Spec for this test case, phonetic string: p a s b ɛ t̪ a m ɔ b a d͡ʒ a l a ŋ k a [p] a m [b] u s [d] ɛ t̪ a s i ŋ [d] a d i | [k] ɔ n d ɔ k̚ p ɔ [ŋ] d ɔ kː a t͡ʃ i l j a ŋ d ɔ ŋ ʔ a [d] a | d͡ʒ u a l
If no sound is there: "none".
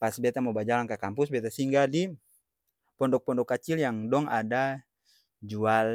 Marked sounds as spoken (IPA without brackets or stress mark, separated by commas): k, p, b, ɡ, p, n, d